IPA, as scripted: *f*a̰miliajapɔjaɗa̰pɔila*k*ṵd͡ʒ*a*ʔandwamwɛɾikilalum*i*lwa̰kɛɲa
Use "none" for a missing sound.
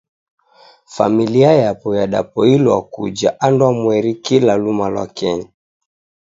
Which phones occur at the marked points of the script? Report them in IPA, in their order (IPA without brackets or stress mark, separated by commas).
f, k, a, a